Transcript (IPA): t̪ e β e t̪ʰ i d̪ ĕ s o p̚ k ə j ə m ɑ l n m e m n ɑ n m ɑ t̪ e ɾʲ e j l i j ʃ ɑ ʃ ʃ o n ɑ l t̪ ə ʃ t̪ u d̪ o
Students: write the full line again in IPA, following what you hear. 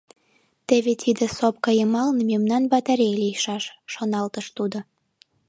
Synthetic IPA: t̪ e β e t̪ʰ i d̪ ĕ s o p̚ k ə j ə m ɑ l n m e m n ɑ n b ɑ t̪ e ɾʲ e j l i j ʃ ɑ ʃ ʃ o n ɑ l t̪ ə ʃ t̪ u d̪ o